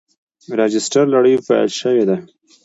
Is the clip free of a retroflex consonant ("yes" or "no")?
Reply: no